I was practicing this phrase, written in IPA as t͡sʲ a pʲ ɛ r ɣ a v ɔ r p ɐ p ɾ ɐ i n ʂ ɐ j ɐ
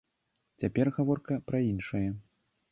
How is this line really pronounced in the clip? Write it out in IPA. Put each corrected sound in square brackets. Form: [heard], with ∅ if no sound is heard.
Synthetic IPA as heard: t͡sʲ a pʲ ɛ r ɣ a v ɔ r [k] ɐ p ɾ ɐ i n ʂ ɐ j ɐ